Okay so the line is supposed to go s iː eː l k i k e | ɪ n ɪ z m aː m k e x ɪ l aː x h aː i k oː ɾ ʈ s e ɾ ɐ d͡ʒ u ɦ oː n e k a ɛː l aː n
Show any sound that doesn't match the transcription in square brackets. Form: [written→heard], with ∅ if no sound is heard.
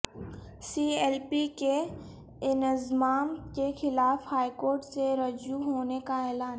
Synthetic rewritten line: s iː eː l [k→p] i k e | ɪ n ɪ z m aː m k e x ɪ l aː [x→f] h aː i k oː ɾ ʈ s e ɾ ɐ d͡ʒ u ɦ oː n e k a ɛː l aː n